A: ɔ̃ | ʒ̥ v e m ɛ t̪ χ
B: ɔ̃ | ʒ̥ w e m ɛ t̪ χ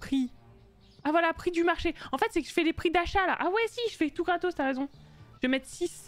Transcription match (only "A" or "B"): A